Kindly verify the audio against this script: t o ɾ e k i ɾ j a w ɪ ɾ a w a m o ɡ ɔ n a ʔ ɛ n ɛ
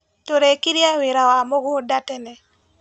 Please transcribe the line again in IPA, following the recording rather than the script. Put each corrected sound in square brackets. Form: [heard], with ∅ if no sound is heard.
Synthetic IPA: t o ɾ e k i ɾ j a w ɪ ɾ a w a m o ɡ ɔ [d] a [t] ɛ n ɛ